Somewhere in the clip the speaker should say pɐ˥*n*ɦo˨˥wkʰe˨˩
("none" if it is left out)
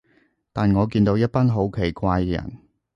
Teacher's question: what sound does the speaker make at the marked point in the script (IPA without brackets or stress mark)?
n